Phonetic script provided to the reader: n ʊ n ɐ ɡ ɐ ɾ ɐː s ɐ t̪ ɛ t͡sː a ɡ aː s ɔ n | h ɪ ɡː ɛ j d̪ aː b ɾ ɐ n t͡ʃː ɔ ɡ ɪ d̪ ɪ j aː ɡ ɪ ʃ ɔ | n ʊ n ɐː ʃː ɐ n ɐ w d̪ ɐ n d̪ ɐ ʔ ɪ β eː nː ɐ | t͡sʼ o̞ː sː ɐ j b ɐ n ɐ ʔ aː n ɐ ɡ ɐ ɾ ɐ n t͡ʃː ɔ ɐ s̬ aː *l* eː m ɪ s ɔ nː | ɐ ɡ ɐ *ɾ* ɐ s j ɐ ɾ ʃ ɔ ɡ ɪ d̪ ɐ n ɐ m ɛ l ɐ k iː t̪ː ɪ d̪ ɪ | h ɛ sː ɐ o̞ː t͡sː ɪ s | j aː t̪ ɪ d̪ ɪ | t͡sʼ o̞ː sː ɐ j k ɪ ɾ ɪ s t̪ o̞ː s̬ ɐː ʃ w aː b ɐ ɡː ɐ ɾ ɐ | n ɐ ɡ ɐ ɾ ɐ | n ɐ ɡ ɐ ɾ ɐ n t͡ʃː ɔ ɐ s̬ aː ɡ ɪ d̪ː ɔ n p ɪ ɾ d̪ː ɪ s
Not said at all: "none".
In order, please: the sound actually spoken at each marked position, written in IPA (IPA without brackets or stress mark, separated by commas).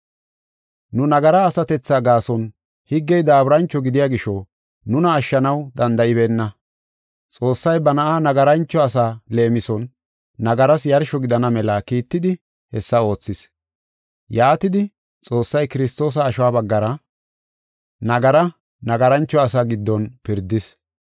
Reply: l, ɾ